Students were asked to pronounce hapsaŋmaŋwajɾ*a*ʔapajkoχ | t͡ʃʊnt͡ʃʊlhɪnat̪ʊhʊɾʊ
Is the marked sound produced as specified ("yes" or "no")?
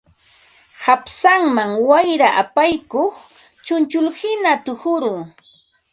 yes